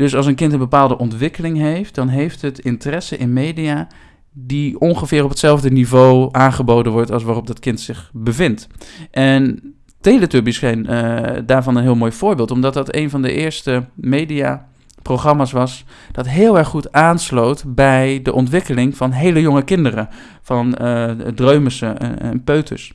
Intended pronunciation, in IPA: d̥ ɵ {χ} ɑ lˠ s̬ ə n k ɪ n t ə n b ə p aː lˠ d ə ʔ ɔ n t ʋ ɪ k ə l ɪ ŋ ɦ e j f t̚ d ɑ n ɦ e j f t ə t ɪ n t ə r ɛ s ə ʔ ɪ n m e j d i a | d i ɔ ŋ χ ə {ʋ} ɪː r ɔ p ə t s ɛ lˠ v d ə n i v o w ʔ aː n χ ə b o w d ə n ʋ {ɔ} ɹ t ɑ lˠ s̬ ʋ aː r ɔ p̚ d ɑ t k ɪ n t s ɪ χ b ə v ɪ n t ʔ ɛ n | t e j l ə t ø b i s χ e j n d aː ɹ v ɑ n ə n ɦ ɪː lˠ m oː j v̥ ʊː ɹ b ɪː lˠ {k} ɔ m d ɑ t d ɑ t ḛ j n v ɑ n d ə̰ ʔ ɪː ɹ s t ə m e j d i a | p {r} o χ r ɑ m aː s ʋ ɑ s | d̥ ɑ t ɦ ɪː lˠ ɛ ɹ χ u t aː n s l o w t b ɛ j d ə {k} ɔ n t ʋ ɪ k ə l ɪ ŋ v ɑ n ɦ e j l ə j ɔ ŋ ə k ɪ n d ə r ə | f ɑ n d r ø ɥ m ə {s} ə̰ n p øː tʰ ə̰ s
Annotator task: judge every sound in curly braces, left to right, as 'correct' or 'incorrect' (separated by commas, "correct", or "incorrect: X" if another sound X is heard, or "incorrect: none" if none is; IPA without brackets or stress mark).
incorrect: s, incorrect: v, correct, incorrect: t, correct, incorrect: ʔ, correct